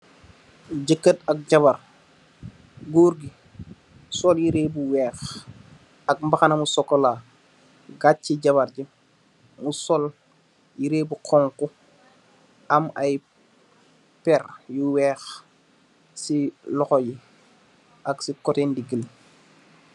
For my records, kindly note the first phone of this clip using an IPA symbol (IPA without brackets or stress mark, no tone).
ɟ